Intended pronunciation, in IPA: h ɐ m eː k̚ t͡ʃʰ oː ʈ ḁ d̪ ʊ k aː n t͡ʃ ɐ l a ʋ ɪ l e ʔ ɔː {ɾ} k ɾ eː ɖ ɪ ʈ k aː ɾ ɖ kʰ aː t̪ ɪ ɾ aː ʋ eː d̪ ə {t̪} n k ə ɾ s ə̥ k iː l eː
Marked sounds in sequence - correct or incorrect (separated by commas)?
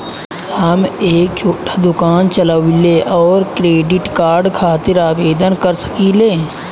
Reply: correct, incorrect